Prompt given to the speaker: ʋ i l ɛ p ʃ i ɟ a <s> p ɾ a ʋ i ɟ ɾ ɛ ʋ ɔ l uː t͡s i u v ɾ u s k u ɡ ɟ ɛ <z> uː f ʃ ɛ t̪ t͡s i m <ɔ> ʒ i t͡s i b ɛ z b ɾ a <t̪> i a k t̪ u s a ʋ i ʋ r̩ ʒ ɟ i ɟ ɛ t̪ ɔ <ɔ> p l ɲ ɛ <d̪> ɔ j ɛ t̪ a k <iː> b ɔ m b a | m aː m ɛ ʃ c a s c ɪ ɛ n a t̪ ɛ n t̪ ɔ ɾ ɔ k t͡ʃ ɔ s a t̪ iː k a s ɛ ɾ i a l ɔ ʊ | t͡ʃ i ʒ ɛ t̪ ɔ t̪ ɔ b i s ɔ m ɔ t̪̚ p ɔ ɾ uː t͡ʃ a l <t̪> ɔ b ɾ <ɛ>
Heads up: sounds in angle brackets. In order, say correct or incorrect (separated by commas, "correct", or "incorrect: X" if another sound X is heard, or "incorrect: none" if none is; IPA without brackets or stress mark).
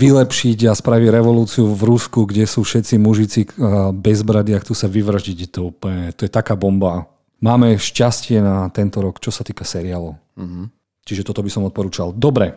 correct, incorrect: s, incorrect: u, incorrect: d̪, incorrect: u, incorrect: t̪, incorrect: aː, incorrect: d̪, correct